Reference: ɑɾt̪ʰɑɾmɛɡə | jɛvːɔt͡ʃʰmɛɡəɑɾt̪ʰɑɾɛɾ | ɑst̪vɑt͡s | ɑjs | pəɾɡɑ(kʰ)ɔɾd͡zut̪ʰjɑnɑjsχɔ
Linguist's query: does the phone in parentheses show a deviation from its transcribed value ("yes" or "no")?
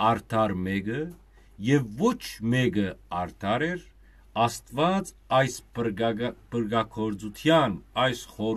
no